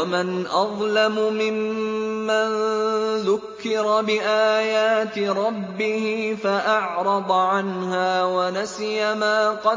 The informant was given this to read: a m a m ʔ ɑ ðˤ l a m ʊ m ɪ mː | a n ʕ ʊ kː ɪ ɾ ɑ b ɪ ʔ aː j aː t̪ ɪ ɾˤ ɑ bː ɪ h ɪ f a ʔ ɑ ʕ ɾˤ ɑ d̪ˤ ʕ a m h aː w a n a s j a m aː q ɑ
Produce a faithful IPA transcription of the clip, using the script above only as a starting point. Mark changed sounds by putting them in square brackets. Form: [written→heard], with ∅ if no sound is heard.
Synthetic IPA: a m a [m→n] ʔ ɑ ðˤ l a m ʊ m ɪ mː | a n [ʕ→ð] ʊ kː ɪ ɾ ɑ b ɪ ʔ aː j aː t̪ ɪ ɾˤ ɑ bː ɪ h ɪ f a ʔ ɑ ʕ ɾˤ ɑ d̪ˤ ʕ a [m→n] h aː w a n a s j a m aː q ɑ